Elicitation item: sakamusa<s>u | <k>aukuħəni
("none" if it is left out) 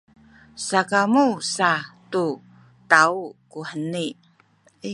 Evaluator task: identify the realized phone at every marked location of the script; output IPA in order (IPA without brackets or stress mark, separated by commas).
t, t